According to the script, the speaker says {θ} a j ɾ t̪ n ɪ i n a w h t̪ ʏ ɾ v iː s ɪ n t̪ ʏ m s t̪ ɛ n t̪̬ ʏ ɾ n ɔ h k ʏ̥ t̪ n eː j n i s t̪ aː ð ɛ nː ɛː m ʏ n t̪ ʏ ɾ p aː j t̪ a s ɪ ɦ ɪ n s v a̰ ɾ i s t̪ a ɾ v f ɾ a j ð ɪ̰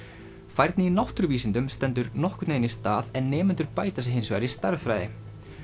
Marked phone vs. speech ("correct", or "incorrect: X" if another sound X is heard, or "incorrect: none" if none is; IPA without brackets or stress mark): incorrect: f